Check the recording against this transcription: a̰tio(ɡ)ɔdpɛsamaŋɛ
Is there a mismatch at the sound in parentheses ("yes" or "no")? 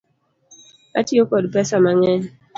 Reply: yes